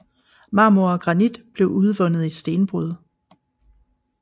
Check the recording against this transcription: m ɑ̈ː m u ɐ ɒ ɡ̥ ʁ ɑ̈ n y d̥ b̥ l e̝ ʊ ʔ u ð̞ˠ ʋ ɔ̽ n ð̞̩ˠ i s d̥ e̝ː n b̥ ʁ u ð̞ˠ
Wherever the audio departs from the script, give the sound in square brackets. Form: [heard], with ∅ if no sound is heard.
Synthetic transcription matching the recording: m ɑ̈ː m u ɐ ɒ ɡ̥ ʁ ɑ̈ n [i] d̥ b̥ l e̝ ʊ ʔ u ð̞ˠ ʋ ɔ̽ n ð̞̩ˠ i s d̥ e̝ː n b̥ ʁ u ð̞ˠ

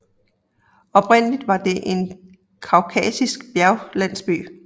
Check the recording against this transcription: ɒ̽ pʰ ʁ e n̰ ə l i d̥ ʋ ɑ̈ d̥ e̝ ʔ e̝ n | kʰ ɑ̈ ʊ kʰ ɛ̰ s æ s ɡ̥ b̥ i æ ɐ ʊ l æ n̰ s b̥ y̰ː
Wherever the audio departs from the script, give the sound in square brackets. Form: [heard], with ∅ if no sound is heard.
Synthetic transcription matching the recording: ɒ̽ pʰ ʁ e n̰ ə l i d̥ ʋ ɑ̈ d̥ e̝ ʔ e̝ n | kʰ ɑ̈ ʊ kʰ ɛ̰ s [i] s ɡ̥ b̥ [j] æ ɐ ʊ l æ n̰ s b̥ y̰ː

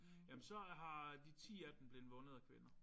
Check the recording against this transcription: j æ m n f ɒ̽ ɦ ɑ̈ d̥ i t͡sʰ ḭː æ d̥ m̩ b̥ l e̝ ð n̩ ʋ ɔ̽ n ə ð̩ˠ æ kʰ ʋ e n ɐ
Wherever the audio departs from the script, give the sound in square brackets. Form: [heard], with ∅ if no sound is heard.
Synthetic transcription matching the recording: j æ m n [s] ɒ̽ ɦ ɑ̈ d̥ i t͡sʰ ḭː æ d̥ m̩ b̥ l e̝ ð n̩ ʋ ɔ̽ n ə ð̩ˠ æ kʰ ʋ e n ɐ

